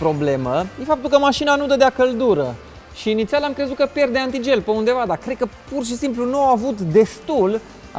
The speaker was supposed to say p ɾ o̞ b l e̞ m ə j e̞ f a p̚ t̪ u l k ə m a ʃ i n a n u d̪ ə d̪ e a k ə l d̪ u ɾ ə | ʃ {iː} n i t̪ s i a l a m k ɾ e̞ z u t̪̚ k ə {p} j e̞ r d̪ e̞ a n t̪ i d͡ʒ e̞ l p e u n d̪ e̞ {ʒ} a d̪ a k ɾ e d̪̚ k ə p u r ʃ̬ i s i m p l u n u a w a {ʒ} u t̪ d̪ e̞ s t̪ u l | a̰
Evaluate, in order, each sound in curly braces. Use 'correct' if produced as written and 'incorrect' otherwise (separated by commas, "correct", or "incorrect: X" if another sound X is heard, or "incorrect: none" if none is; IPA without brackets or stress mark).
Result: correct, correct, incorrect: v, incorrect: v